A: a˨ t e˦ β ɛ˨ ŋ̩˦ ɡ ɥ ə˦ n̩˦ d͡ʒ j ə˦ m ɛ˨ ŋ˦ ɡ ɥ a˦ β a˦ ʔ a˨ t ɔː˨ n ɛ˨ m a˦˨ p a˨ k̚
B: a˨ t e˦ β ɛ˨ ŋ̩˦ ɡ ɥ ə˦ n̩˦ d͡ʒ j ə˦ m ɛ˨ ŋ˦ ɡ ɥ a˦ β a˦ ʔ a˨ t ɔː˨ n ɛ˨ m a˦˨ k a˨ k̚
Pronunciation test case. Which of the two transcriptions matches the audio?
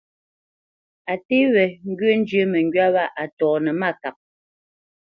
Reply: B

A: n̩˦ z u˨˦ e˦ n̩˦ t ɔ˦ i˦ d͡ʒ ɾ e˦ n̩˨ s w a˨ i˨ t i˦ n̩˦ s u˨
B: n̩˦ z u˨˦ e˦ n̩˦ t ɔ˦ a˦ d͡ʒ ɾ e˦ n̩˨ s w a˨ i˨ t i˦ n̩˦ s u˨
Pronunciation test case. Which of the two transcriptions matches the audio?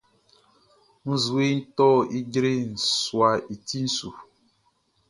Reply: A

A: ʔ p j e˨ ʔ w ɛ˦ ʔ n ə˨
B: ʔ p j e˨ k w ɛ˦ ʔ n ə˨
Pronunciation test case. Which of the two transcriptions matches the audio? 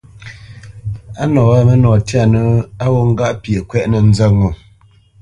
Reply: B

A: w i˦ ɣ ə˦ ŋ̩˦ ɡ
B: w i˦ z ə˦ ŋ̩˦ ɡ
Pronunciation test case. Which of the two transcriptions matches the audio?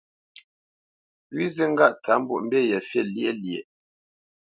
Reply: B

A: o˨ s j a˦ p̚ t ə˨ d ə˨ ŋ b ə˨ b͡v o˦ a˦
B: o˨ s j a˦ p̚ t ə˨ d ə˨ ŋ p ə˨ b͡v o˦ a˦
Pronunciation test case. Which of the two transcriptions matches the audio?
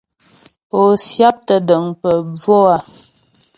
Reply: B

